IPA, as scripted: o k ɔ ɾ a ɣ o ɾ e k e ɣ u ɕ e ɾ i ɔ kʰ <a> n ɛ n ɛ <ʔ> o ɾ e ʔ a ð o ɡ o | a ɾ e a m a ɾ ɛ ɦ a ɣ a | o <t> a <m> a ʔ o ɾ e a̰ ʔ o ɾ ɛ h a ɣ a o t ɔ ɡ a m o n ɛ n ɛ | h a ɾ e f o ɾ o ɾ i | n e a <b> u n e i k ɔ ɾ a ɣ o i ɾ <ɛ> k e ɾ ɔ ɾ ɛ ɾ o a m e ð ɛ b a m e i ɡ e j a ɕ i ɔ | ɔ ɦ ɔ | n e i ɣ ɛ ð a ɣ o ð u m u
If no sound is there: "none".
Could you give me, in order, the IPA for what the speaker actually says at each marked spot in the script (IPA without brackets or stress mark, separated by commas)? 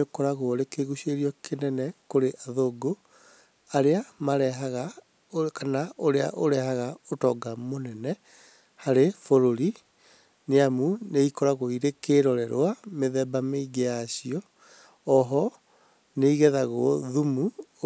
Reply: e, k, k, n, m, e